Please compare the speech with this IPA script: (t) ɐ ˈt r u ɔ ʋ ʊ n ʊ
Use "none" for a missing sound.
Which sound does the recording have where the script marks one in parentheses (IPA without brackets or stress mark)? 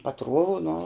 p